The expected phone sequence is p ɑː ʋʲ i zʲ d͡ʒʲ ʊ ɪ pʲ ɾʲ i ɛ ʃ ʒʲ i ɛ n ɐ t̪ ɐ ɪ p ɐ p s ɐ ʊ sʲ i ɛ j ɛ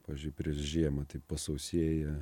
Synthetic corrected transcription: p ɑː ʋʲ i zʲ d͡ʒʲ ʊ ɪ pʲ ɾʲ i ɛ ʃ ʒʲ i ɛ m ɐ t̪ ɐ ɪ p ɐ s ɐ ʊ sʲ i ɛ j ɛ